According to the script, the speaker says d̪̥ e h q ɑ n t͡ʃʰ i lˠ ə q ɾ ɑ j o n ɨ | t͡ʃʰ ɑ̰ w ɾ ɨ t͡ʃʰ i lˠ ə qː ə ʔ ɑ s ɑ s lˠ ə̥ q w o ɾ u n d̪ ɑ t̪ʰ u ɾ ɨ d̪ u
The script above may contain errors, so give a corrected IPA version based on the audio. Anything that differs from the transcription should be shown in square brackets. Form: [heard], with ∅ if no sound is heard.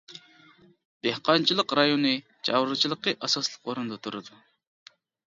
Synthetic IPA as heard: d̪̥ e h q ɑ n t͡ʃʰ i lˠ ə q ɾ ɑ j o n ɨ | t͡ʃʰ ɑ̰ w ɾ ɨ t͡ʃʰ i lˠ ə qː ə ʔ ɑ s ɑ s lˠ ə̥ q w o ɾ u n d̪ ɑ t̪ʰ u ɾ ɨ d̪ u